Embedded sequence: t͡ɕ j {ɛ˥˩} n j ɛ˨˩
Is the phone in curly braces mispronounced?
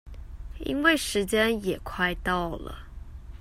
yes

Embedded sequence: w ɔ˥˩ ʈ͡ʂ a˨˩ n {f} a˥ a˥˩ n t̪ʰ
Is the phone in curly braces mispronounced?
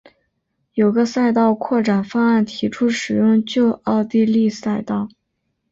no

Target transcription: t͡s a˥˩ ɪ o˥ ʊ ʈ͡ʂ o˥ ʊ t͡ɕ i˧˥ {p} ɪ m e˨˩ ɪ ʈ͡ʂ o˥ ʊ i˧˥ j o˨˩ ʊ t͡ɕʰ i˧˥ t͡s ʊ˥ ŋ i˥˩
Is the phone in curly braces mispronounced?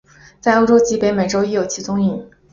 no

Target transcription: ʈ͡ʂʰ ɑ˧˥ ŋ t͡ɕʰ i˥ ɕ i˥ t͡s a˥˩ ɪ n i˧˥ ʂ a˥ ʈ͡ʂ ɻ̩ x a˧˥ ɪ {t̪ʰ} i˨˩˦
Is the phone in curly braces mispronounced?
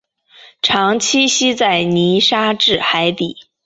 yes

